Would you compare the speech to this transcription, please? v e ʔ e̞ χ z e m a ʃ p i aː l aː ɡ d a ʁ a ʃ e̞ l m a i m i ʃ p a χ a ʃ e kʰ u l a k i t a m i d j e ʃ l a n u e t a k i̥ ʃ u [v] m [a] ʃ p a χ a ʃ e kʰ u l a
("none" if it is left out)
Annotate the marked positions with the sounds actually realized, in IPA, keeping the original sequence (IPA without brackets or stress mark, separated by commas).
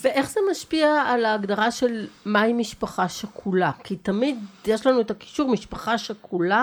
ʁ, i